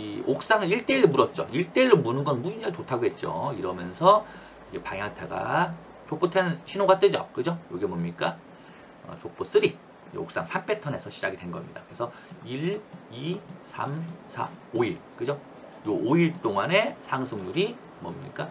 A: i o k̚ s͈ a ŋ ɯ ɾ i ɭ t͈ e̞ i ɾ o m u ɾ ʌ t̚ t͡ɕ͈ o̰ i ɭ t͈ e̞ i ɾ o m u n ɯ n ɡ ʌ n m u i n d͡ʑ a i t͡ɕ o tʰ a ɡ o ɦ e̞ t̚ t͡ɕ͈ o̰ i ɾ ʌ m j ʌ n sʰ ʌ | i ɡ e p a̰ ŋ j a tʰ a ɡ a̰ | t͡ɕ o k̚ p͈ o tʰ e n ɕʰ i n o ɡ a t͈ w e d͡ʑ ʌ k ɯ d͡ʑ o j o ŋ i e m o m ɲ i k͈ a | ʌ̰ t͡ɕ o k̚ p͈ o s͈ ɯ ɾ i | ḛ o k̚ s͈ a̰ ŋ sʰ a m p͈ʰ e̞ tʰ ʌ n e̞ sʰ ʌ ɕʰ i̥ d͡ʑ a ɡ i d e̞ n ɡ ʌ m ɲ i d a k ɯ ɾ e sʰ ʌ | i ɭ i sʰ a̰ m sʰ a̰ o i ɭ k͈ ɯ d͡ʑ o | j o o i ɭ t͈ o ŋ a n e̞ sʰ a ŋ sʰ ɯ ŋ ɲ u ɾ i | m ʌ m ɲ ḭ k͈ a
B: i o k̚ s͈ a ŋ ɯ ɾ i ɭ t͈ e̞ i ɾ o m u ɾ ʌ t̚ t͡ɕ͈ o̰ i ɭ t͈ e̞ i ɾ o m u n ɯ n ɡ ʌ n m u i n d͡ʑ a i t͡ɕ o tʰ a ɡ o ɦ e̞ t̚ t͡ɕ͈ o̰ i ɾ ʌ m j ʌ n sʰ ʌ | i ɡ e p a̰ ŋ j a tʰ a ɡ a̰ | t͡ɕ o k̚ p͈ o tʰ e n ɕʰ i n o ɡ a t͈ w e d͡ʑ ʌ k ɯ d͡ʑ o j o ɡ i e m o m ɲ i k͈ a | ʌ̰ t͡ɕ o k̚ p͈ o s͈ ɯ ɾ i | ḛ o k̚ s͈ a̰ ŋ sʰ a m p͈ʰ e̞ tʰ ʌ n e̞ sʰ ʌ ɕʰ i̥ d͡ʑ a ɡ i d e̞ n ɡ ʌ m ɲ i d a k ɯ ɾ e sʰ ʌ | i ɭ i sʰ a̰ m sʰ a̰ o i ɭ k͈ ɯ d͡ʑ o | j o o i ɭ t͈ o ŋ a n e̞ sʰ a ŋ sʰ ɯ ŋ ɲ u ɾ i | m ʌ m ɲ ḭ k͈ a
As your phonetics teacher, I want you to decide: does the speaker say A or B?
B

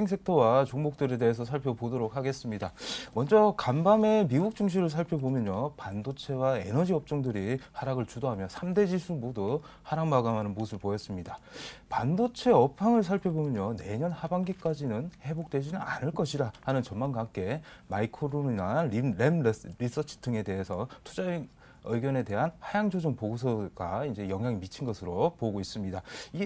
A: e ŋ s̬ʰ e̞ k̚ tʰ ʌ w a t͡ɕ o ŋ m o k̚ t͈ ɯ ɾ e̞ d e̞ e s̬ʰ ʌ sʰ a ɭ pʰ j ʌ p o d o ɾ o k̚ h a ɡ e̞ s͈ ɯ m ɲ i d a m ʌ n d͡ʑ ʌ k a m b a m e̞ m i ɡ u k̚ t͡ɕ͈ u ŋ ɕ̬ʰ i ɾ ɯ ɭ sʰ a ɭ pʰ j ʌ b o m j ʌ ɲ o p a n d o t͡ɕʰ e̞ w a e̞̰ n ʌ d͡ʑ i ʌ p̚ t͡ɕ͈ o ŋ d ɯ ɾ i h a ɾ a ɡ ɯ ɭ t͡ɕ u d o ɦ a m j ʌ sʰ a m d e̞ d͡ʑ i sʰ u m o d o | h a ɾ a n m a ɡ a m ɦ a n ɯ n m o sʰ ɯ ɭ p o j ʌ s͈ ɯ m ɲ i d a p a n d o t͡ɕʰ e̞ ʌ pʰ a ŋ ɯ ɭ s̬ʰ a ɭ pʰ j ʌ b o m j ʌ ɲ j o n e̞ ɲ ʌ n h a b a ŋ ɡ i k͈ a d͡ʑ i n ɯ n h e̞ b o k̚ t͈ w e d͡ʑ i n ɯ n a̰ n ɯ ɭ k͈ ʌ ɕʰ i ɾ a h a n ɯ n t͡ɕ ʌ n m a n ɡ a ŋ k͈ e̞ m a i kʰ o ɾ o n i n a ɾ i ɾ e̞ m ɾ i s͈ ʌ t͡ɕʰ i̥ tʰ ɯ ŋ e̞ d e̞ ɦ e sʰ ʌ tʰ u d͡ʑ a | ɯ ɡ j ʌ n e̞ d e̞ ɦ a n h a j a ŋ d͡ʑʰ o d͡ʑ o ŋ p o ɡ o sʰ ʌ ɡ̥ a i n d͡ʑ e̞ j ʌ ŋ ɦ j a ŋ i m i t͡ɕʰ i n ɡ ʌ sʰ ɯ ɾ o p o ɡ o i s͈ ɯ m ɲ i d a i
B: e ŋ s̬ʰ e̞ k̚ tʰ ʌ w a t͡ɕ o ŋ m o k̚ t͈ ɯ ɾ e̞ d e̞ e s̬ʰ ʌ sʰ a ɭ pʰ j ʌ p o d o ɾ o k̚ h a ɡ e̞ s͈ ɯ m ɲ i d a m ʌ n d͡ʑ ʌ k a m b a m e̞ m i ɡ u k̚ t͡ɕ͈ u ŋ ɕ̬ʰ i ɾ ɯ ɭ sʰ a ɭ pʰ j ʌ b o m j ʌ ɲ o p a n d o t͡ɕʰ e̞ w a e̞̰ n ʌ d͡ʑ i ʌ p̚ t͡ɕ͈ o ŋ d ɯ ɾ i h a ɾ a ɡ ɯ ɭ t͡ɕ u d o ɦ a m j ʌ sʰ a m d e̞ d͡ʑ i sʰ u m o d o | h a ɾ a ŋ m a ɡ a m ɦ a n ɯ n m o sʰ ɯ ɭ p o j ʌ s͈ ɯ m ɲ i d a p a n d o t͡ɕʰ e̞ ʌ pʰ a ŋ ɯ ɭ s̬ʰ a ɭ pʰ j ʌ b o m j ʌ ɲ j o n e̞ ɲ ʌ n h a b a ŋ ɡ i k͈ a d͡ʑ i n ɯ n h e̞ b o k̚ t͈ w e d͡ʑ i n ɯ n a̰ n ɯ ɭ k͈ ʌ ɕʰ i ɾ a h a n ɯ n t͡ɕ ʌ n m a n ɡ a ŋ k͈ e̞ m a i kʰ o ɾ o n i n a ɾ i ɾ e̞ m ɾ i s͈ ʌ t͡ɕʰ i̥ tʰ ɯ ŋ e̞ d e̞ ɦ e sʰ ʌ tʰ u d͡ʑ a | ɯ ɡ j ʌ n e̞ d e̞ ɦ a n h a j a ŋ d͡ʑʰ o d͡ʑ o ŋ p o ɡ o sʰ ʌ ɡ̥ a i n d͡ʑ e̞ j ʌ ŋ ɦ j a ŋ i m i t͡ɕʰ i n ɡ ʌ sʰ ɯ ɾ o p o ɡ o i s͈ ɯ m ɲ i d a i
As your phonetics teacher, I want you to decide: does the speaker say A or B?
B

